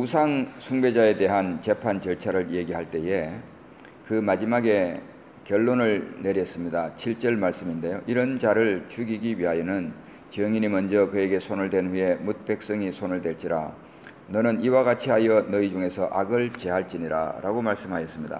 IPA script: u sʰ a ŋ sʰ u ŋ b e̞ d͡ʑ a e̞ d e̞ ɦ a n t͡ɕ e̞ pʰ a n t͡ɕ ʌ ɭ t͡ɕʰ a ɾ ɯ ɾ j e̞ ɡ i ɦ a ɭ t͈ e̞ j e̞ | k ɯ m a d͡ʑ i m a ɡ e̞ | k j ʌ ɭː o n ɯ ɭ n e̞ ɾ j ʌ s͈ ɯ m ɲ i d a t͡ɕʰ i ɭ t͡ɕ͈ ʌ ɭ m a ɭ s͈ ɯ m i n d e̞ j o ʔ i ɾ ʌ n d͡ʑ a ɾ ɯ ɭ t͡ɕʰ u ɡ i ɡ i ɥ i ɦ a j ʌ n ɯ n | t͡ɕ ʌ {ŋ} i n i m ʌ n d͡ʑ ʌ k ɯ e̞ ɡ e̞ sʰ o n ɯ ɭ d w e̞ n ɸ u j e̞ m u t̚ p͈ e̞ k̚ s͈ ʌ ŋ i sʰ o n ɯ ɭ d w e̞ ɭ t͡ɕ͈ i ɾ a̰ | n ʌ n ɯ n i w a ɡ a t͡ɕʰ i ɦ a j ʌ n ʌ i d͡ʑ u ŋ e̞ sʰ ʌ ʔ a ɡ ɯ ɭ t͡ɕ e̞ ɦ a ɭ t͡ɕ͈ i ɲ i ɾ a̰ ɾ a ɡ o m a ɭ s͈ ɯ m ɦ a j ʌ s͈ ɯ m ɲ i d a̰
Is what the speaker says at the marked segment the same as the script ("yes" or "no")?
yes